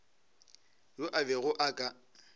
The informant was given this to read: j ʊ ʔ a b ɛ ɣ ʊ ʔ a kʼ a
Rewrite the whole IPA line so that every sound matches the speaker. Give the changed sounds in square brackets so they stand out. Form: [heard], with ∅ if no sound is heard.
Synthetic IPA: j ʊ ʔ a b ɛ ɣ ʊ ʔ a kʼ a